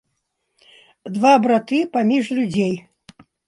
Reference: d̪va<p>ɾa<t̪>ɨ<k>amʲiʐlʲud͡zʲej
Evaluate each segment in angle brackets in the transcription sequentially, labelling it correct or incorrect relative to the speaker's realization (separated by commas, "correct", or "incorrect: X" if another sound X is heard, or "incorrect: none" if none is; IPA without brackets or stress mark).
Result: incorrect: b, correct, incorrect: p